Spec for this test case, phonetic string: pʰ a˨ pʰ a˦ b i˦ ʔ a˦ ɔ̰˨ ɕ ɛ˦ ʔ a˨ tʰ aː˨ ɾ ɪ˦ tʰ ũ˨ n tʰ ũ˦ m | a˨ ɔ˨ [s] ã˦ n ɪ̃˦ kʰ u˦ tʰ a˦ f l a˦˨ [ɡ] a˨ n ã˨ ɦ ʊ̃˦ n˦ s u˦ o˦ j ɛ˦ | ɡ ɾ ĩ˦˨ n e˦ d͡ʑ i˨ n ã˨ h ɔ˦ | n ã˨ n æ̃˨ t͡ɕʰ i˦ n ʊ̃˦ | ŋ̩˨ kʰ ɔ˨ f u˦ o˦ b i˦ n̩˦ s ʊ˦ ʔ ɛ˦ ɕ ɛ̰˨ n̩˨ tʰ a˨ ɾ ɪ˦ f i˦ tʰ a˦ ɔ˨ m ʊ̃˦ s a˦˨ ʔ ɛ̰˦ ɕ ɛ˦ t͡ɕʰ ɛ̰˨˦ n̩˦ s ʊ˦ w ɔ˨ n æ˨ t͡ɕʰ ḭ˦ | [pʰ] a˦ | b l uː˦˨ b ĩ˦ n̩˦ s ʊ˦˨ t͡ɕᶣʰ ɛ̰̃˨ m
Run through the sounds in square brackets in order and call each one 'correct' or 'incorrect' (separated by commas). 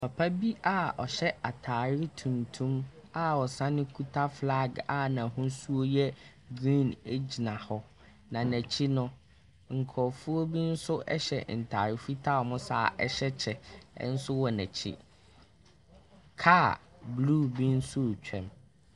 correct, correct, incorrect